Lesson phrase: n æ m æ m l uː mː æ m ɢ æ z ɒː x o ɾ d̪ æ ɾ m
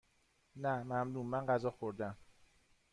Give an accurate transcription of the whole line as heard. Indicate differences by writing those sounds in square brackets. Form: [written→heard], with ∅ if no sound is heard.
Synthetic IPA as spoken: n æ m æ m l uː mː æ [m→n] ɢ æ z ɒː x o ɾ d̪ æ [ɾ→∅] m